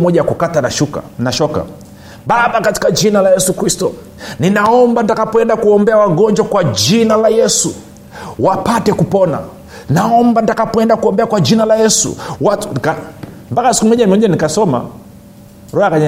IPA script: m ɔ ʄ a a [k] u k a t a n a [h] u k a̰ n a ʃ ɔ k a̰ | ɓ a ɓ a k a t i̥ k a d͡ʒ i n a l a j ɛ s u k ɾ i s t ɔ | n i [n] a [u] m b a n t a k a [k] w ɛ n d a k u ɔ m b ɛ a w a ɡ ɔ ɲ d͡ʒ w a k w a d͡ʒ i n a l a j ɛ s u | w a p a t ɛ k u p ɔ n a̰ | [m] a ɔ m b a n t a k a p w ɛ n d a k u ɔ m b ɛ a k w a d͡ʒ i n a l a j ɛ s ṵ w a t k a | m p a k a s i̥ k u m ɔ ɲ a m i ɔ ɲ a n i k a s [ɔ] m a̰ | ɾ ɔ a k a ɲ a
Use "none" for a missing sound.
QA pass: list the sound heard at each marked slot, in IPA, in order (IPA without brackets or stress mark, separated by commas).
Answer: k, ʃ, n, ɔ, p, n, ɔ